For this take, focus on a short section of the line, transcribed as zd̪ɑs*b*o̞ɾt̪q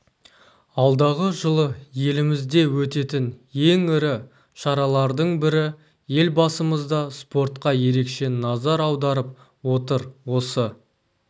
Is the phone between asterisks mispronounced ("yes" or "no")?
yes